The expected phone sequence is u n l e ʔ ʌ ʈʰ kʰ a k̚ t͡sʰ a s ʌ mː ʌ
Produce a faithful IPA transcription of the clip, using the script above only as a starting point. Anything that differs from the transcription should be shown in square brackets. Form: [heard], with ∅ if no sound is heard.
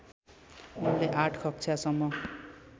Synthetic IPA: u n l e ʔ [a] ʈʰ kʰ [ʌ] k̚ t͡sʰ a s ʌ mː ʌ